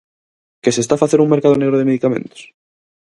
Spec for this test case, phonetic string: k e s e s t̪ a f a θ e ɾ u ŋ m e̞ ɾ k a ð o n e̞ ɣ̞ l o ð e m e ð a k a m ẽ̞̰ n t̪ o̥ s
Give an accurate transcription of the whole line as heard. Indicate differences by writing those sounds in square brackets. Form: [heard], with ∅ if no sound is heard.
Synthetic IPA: k e s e s t̪ a f a θ e ɾ u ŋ m e̞ ɾ k a ð o n e̞ ɣ̞ [ɾ] o ð e m e ð [i] k a m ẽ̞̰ n t̪ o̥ s

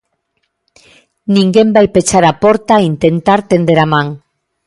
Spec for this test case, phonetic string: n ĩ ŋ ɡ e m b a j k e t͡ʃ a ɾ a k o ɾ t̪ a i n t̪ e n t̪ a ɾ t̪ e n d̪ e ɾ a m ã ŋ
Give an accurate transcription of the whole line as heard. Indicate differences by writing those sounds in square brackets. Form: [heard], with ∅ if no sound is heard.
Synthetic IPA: n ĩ ŋ ɡ e m b a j [p] e t͡ʃ a ɾ a [p] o ɾ t̪ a i n t̪ e n t̪ a ɾ t̪ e n d̪ e ɾ a m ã ŋ

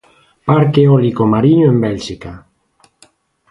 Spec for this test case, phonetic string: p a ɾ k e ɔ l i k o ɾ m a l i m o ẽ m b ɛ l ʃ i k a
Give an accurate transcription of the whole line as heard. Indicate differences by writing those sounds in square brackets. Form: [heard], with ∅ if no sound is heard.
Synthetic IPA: p a ɾ k e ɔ l i k o [∅] m a [ɾ] i [ɲ] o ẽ m b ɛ l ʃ i k a

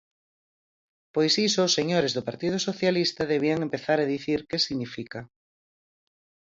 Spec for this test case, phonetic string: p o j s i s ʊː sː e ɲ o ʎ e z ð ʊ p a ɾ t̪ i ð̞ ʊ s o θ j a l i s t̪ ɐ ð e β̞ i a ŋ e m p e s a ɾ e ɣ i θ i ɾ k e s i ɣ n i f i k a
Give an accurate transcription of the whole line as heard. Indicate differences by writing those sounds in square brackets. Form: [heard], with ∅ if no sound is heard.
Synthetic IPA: p o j s i s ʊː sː e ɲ o [ɾ] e z ð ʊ p a ɾ t̪ i ð̞ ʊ s o θ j a l i s t̪ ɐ ð e β̞ i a ŋ e m p e [θ] a ɾ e [ð] i θ i ɾ k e s i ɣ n i f i k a

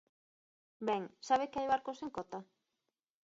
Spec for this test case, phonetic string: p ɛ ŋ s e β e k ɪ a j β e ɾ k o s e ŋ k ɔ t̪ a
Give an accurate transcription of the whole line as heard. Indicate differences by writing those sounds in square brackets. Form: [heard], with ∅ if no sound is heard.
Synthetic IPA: [b] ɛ ŋ s [a] β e k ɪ a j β [a] ɾ k o s e ŋ k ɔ t̪ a

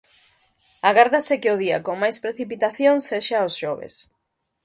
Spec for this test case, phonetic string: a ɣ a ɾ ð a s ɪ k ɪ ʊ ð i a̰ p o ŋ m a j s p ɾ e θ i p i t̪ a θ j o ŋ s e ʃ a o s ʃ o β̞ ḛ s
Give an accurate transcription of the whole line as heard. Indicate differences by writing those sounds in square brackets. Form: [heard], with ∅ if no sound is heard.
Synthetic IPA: a ɣ a ɾ ð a s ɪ k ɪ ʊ ð i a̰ [k] o ŋ m a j s p ɾ e θ i p i t̪ a θ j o ŋ s e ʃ a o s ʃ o β̞ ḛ s

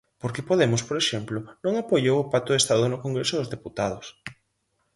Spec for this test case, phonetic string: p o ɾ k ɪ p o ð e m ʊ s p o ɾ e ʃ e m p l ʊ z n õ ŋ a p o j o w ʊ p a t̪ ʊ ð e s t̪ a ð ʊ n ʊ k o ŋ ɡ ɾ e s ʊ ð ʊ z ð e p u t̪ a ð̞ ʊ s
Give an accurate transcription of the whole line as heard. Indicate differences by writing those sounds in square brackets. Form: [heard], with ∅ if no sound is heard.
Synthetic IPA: p o ɾ k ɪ p o ð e m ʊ s p o ɾ e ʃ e m p l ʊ [∅] n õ ŋ a p o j o w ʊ p a t̪ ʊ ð e s t̪ a ð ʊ n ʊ k o ŋ ɡ ɾ e s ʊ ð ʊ z ð e p u t̪ a ð̞ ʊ s

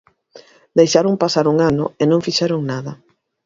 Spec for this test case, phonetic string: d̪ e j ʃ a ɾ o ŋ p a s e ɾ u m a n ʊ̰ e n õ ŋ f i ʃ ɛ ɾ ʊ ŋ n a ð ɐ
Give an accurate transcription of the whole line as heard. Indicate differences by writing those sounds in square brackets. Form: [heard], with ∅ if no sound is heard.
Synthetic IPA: d̪ e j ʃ a ɾ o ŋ p a s [a] ɾ u [ŋ] a n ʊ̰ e n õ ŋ f i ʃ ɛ ɾ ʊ ŋ n a ð ɐ

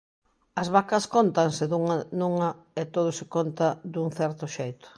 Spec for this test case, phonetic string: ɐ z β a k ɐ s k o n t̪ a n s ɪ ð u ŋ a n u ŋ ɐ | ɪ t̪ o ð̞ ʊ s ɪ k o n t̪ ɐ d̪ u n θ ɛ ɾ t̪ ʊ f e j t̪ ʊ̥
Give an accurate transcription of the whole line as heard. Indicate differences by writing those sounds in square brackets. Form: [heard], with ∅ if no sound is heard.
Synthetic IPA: ɐ z β a k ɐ s k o n t̪ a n s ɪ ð u ŋ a n u ŋ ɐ | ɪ t̪ o ð̞ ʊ s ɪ k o n t̪ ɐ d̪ u [ŋ] θ ɛ ɾ t̪ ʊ [ʃ] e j t̪ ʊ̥

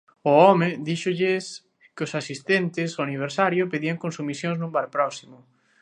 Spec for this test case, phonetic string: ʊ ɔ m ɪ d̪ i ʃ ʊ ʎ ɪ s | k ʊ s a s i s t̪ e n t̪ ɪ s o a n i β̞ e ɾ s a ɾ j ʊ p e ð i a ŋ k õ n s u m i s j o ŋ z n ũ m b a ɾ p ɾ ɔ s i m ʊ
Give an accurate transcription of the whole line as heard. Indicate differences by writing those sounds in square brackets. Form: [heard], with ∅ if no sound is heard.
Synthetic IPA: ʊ ɔ m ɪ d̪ i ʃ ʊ ʎ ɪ s | k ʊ s a s i s t̪ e n t̪ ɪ s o a n i β̞ e ɾ s a ɾ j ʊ p e ð i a ŋ k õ n s u m i s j o ŋ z n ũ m b a ɾ p ɾ ɔ s i m ʊ

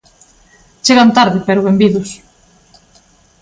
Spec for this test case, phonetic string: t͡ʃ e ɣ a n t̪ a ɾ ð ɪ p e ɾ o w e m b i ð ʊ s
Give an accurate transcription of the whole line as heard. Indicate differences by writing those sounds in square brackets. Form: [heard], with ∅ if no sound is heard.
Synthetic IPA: t͡ʃ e ɣ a n t̪ a ɾ ð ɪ p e ɾ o [β] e m b i ð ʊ s

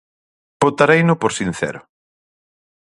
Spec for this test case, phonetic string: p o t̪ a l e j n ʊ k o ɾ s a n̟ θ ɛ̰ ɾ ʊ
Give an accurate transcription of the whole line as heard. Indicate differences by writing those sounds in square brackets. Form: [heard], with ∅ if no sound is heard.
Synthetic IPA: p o t̪ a [ɾ] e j n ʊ [p] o ɾ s [i] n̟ θ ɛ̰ ɾ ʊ

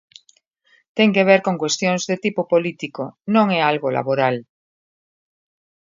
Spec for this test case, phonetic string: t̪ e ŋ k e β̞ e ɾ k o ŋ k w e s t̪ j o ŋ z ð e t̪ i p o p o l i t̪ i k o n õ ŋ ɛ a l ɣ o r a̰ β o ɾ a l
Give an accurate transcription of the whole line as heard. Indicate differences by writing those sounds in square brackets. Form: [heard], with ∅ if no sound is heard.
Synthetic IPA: t̪ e ŋ k e β̞ e ɾ k o ŋ k w e s t̪ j o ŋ z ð e t̪ i p o p o l i t̪ i k o n õ ŋ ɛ a l ɣ o [l] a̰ β o ɾ a l

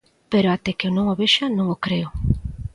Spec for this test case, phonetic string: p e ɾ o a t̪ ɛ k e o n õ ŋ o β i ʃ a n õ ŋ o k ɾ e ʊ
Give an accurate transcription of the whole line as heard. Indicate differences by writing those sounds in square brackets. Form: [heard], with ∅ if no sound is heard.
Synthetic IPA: p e ɾ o a t̪ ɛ k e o n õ ŋ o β [e] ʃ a n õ ŋ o k ɾ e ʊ

